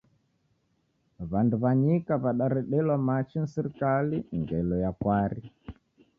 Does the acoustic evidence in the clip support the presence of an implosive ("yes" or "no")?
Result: yes